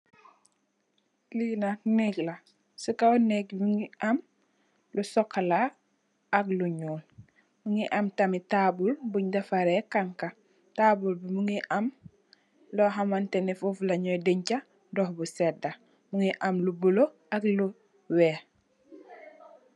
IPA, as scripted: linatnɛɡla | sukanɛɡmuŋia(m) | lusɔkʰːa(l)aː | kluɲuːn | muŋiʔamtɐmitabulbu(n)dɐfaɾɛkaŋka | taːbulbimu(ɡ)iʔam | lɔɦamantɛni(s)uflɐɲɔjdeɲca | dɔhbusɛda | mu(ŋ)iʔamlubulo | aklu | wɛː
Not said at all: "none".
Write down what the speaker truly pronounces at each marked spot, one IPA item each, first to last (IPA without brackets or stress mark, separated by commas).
m, l, ɲ, ŋ, f, ŋ